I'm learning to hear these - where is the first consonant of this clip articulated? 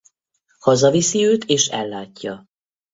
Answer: throat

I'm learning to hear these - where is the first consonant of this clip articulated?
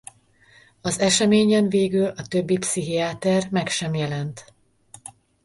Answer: tongue tip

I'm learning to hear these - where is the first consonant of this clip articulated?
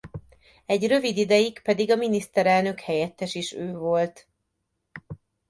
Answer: palate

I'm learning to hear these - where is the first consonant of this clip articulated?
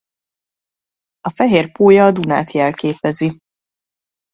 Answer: lips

